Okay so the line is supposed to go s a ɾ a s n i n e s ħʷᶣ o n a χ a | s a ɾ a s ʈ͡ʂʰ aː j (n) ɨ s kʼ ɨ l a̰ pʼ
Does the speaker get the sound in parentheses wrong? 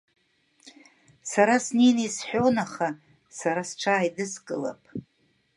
yes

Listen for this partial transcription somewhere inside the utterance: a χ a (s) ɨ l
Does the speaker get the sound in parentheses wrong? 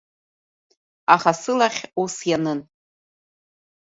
no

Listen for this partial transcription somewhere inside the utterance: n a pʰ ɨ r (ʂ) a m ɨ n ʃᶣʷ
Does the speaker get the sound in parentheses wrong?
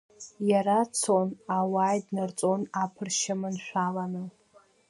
yes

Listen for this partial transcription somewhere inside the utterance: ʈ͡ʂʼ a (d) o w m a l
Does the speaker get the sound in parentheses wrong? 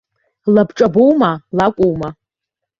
yes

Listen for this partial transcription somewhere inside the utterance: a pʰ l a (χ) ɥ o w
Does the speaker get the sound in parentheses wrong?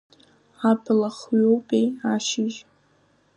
no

